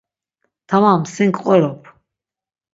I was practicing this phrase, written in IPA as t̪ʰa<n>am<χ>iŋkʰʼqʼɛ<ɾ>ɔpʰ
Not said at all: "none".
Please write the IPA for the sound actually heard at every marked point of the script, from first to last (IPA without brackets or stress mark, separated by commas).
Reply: m, s, ɾ